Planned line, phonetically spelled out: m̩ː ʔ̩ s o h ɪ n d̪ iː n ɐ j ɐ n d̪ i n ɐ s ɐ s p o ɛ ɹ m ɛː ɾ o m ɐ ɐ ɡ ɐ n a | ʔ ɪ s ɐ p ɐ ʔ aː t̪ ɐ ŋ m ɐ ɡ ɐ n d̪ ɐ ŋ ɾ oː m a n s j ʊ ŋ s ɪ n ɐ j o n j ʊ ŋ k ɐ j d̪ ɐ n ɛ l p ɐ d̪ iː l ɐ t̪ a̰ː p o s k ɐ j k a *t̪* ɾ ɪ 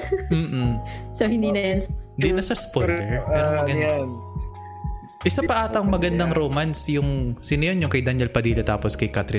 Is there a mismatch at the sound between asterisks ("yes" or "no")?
no